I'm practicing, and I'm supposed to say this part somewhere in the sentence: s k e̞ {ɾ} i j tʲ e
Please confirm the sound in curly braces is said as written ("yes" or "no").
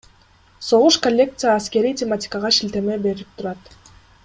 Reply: yes